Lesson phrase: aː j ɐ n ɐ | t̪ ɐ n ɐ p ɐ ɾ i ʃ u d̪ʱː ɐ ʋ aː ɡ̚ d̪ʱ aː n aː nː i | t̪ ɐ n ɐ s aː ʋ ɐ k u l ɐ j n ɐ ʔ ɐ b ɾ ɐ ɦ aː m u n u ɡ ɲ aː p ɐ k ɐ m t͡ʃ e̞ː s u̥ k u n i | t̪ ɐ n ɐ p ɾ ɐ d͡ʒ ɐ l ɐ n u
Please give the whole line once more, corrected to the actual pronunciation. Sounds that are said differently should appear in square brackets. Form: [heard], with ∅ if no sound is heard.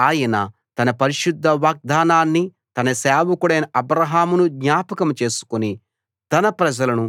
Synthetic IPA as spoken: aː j ɐ n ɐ | t̪ ɐ n ɐ p ɐ ɾ i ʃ u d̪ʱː ɐ ʋ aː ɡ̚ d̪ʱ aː n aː nː i | t̪ ɐ n ɐ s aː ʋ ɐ k u [ɽ] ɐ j n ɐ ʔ ɐ b ɾ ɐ ɦ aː m u n u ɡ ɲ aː p ɐ k ɐ m t͡ʃ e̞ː s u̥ k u n i | t̪ ɐ n ɐ p ɾ ɐ d͡ʒ ɐ l ɐ n u

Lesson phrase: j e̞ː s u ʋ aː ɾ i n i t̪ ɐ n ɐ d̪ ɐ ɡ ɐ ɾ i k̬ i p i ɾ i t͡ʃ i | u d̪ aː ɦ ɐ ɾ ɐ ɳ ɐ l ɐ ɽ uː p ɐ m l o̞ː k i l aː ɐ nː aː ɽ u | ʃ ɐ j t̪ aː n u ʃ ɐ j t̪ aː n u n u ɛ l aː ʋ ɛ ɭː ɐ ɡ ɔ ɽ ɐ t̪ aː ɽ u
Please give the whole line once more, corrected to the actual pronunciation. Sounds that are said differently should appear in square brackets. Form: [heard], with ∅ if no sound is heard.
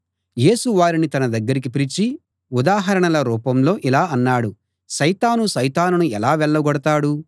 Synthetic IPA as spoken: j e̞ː s u ʋ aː ɾ i n i t̪ ɐ n ɐ d̪ ɐ [ɡː] ɐ ɾ i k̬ i p i ɾ i t͡ʃ i | u d̪ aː ɦ ɐ ɾ ɐ ɳ ɐ l ɐ [ɾ] uː p ɐ m l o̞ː [ʔ] i l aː ɐ nː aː ɽ u | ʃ ɐ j t̪ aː n u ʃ ɐ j t̪ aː n u n u ɛ l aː ʋ ɛ ɭː ɐ ɡ ɔ ɽ ɐ t̪ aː ɽ u

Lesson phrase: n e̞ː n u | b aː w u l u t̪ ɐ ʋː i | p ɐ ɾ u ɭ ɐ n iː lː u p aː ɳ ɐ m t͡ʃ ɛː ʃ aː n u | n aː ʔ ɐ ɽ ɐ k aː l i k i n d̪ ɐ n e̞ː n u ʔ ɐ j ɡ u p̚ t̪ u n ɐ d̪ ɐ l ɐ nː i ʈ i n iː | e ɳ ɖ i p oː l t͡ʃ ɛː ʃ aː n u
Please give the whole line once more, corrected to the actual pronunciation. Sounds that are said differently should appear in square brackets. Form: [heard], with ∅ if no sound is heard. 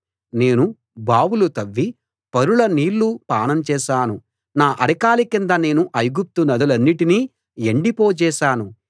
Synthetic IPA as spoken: n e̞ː n u | b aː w u l u t̪ ɐ ʋː i | p ɐ ɾ u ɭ ɐ n iː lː u p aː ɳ ɐ m t͡ʃ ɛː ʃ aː n u | n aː ʔ ɐ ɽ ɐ k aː l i k i n d̪ ɐ n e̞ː n u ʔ ɐ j ɡ u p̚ t̪ u n ɐ d̪ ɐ l ɐ nː i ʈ i n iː | e ɳ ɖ i p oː [∅] t͡ʃ ɛː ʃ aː n u

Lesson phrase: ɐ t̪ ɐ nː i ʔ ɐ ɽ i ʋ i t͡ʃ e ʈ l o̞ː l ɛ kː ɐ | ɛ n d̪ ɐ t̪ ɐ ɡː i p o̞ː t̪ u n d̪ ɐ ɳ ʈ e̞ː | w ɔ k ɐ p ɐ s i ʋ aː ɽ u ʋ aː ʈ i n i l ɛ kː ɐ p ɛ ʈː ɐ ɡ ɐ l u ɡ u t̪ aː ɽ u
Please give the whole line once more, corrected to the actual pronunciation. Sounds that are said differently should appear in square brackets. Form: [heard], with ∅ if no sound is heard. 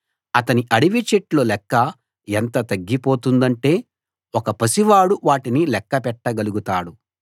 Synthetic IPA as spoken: ɐ t̪ ɐ [n] i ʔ ɐ ɽ i ʋ i t͡ʃ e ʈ l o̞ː l ɛ kː ɐ | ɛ n [t̪] ɐ t̪ ɐ ɡː i p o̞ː t̪ u n d̪ ɐ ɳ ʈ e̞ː | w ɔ k ɐ p ɐ s i ʋ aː ɽ u ʋ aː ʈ i n i l ɛ kː ɐ p ɛ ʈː ɐ ɡ ɐ l u ɡ u t̪ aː ɽ u

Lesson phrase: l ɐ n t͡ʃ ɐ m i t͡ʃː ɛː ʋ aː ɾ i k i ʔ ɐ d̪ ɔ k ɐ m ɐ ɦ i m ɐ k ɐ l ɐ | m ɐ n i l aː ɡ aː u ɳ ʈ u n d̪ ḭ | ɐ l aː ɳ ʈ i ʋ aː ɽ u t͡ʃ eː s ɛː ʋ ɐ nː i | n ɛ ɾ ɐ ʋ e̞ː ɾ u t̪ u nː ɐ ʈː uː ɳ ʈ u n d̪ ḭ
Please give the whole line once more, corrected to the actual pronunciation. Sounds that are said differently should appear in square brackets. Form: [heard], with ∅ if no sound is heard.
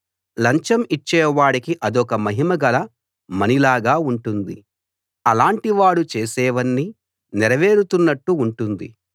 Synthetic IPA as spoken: l ɐ [ɲ] t͡ʃ ɐ m i t͡ʃː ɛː ʋ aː [ɽ] i k i ʔ ɐ d̪ ɔ k ɐ m ɐ ɦ i m ɐ [ɡ] ɐ l ɐ | m ɐ n i l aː ɡ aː u ɳ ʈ u n d̪ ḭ | ɐ l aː ɳ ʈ i ʋ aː ɽ u t͡ʃ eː s ɛː ʋ ɐ nː i | n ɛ ɾ ɐ ʋ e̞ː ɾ u t̪ u nː ɐ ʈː uː ɳ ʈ u n d̪ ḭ

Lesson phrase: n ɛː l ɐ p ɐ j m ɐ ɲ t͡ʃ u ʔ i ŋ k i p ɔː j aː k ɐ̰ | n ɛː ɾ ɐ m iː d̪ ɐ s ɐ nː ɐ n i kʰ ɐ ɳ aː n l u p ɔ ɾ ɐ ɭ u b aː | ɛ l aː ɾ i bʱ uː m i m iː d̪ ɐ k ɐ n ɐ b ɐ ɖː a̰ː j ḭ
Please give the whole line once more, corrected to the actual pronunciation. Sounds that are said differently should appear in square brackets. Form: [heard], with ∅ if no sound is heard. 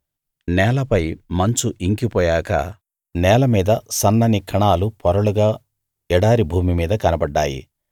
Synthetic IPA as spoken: n ɛː l ɐ p ɐ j m ɐ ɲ t͡ʃ u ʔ i ŋ k i p ɔː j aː k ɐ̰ | n ɛː [l] ɐ m iː d̪ ɐ s ɐ nː ɐ n i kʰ ɐ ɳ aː [∅] l u p ɔ ɾ ɐ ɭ u [ɡ] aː | ɛ [ɽ] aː ɾ i bʱ uː m i m iː d̪ ɐ k ɐ n ɐ b ɐ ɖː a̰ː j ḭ

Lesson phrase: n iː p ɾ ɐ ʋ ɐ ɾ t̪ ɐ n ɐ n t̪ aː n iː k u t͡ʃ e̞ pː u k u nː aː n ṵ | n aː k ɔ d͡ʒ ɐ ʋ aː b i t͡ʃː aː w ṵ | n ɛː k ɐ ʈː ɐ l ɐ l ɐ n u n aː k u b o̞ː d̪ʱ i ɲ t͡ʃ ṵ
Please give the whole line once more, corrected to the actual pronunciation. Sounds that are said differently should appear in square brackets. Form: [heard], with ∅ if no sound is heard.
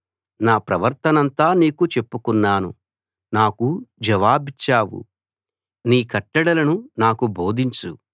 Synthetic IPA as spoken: n [aː] p ɾ ɐ ʋ ɐ ɾ t̪ ɐ n ɐ n t̪ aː n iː k u t͡ʃ e̞ pː u k u nː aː n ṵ | n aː k [u] d͡ʒ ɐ ʋ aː b i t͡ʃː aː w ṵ | n [iː] k ɐ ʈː ɐ [ɽ] ɐ l ɐ n u n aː k u b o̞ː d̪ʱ i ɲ t͡ʃ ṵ

